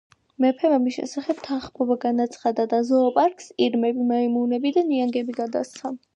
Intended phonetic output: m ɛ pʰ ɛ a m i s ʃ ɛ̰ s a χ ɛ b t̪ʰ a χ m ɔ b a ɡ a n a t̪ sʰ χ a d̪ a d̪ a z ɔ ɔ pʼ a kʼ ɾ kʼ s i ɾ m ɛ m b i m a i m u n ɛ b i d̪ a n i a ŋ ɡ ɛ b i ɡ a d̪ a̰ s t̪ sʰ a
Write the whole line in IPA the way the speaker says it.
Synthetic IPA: m ɛ pʰ ɛ a m i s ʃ ɛ̰ s a χ ɛ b t̪ʰ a χ m ɔ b a ɡ a n a t̪ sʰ χ a d̪ a d̪ a z ɔ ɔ pʼ a ɾ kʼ s i ɾ m ɛ b i m a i m u n ɛ b i d̪ a n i a ŋ ɡ ɛ b i ɡ a d̪ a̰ s t̪ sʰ a